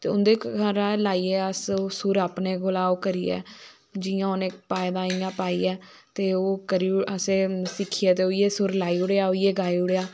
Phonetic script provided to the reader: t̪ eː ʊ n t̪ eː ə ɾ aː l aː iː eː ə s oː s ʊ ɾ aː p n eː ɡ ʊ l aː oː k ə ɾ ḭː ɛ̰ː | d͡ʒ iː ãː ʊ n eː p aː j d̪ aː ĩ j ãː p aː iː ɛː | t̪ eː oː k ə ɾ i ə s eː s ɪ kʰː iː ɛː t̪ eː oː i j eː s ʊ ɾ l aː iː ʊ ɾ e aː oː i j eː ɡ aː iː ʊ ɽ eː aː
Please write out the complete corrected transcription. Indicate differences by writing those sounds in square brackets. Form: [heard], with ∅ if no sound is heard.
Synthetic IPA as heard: t̪ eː ʊ n [d̪] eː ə ɾ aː l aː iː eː ə s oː s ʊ ɾ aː p n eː ɡ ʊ l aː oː k ə ɾ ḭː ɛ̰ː | d͡ʒ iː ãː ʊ n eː p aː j d̪ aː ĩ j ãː p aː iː ɛː | t̪ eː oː k ə ɾ i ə s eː s ɪ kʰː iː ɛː t̪ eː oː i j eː s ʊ ɾ l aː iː ʊ [ɽ] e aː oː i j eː ɡ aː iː ʊ ɽ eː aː